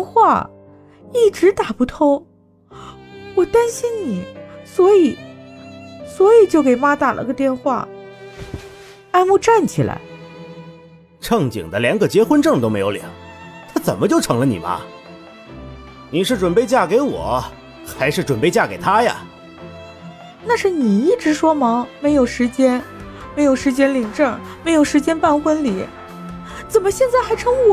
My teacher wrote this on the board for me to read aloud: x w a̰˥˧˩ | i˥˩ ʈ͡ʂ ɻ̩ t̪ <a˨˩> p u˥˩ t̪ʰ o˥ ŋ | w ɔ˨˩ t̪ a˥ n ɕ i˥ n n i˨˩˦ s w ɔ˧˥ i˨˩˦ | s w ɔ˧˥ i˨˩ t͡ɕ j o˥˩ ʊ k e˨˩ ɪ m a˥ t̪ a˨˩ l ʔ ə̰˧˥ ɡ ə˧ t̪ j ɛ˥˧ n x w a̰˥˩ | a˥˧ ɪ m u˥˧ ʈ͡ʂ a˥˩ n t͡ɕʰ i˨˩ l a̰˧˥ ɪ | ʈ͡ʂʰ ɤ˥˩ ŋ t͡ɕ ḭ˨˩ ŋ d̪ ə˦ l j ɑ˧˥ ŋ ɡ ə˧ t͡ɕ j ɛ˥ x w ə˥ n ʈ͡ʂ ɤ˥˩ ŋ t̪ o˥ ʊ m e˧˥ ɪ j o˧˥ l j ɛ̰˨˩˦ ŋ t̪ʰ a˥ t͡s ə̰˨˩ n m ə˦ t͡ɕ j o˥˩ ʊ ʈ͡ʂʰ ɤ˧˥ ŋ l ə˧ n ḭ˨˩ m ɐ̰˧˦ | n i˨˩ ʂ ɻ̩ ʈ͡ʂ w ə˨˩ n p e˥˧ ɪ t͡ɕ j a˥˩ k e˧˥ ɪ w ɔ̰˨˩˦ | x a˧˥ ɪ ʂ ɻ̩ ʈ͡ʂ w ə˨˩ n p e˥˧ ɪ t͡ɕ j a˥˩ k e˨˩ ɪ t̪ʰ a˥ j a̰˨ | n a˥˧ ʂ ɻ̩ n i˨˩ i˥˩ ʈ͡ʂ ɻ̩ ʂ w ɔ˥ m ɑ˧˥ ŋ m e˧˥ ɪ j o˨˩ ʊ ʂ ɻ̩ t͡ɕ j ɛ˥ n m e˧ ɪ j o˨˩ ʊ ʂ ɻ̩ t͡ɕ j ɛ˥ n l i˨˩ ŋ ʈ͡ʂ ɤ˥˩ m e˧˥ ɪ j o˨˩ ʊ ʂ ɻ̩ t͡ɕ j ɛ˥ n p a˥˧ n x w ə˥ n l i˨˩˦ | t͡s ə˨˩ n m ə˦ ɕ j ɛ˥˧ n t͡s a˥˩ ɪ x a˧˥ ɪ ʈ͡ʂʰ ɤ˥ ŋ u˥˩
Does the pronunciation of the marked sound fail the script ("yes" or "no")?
no